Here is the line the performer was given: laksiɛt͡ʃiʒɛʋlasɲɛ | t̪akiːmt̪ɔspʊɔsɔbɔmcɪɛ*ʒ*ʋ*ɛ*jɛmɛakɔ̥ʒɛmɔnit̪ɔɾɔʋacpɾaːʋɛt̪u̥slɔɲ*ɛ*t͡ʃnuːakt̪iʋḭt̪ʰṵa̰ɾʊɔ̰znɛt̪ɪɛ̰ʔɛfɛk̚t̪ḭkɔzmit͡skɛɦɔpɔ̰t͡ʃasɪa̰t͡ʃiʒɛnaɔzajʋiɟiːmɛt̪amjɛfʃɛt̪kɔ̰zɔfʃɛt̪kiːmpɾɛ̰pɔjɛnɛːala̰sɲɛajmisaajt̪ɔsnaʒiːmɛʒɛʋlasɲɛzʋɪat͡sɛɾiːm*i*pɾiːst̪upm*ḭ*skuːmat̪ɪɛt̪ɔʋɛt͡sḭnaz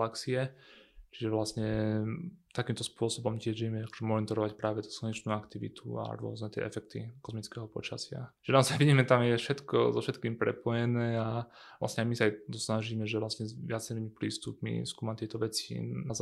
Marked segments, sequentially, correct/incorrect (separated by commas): correct, incorrect, correct, correct, correct